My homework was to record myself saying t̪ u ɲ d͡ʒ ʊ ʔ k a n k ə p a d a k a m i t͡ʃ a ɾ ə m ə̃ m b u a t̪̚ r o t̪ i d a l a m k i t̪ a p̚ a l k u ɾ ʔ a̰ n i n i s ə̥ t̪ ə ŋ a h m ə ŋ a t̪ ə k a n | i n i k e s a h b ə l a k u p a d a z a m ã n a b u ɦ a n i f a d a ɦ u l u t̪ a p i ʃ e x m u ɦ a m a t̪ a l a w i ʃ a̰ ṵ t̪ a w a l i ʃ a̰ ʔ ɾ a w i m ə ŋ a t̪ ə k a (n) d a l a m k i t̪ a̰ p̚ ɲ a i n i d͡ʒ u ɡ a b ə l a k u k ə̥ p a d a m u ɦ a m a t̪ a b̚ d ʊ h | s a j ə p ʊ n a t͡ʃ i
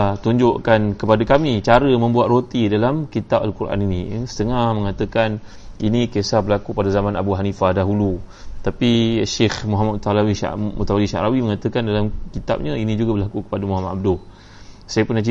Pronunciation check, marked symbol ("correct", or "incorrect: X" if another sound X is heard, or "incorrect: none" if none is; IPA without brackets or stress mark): correct